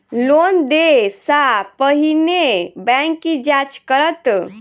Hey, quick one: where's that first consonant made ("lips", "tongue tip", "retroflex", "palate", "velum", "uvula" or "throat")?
tongue tip